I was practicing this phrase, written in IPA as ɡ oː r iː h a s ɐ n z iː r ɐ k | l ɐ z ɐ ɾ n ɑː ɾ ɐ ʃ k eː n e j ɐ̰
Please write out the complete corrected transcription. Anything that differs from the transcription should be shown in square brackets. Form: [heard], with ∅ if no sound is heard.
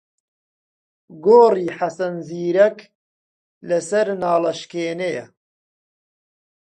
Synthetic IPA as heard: ɡ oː r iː [ħ] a s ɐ n z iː [ɾ] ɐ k | l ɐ [s] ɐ ɾ n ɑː [l] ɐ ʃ k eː n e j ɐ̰

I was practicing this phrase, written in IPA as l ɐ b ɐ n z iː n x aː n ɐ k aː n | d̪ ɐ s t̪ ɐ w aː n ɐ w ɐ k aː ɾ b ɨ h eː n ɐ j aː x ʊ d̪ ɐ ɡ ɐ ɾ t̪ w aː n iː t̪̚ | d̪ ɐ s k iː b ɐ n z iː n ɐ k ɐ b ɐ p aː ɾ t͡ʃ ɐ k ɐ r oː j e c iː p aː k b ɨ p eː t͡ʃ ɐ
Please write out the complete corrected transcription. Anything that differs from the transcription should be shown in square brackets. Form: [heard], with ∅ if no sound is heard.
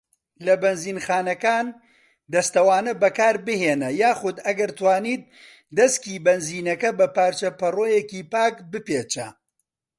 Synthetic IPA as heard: l ɐ b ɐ n z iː n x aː n ɐ k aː n | d̪ ɐ s t̪ ɐ w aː n ɐ [b] ɐ k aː ɾ b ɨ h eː n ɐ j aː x ʊ d̪ ɐ ɡ ɐ ɾ t̪ w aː n iː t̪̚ | d̪ ɐ s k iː b ɐ n z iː n ɐ k ɐ b ɐ p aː ɾ t͡ʃ ɐ [p] ɐ r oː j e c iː p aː k b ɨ p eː t͡ʃ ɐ

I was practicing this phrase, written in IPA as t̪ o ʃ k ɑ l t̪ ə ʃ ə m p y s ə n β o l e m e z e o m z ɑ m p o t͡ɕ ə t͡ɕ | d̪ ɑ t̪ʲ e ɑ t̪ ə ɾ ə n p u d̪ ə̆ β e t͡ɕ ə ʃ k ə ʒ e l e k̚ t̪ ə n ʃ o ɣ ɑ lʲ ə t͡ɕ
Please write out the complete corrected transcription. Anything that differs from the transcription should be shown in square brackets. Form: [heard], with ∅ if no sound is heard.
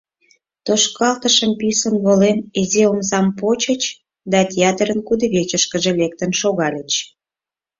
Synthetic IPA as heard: t̪ o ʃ k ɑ l t̪ ə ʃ ə m p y s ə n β o l e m e z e o m z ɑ m p o t͡ɕ ə t͡ɕ | d̪ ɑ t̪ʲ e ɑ t̪ ə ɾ ə n [k] u d̪ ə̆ β e t͡ɕ ə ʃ k ə ʒ e l e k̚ t̪ ə n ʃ o ɣ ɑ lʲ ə t͡ɕ

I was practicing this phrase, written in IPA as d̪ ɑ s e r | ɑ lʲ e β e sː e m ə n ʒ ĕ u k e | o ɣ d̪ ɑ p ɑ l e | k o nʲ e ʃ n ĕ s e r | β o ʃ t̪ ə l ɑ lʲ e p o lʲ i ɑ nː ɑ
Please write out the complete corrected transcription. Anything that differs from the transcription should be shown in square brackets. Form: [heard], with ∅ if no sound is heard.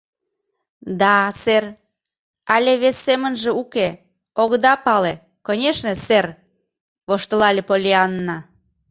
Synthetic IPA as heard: d̪ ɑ s e r | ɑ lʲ e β e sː e m ə n ʒ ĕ u k e | o ɣ d̪ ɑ p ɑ l e | k o nʲ e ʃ n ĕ s e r | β o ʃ t̪ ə l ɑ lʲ e p o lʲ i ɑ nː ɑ

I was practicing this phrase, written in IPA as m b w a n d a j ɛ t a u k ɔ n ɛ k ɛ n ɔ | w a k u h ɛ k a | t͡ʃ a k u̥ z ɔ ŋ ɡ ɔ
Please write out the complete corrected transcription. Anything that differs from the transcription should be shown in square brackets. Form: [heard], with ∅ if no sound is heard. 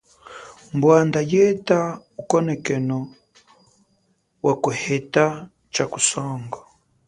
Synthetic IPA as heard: m b w a n d a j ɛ t a u k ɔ n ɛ k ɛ n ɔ | w a k u h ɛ [t] a | t͡ʃ a k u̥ [s] ɔ ŋ ɡ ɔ

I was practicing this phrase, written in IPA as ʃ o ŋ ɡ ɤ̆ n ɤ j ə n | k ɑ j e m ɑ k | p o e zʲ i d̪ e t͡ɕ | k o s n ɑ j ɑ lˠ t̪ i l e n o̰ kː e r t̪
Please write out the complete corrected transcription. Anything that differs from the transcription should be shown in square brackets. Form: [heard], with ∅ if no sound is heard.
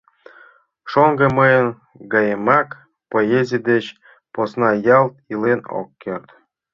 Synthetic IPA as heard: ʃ o ŋ ɡ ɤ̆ [m] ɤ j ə n | [ɡ] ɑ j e m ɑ k | p o e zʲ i d̪ e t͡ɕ | [p] o s n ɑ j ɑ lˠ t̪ i l e n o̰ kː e r t̪

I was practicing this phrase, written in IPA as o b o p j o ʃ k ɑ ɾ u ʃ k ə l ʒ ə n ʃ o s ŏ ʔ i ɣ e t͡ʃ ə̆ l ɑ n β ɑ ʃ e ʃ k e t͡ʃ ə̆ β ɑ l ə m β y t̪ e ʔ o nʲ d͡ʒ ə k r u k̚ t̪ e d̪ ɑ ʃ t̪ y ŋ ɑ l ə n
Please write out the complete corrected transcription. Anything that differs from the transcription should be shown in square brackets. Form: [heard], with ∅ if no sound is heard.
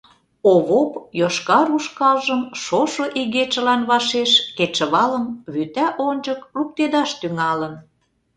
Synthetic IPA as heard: o [β] o p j o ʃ k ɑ ɾ u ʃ k [ɑ] l ʒ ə [m] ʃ o [ʃ] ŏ ʔ i ɣ e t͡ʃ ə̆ l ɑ n β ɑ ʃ e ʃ k e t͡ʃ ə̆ β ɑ l ə m β y t̪ [æ] ʔ o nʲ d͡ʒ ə k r u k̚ t̪ e d̪ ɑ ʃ t̪ y ŋ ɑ l ə n

